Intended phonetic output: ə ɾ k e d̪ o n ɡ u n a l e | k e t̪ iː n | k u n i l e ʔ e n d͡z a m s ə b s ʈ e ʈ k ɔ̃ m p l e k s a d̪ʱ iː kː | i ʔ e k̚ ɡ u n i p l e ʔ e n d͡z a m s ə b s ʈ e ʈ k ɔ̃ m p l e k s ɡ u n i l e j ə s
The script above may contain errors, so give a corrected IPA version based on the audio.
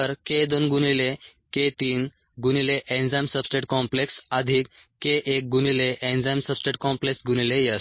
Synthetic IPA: ə ɾ k e d̪ o n ɡ u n i l e | k e t̪ iː n | ɡ u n i l e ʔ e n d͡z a m s ə b s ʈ e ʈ k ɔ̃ m p l e k s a d̪ʱ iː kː | e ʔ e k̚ ɡ u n i l e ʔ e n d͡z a m s ə b s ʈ e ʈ k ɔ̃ m p l e k s ɡ u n i l e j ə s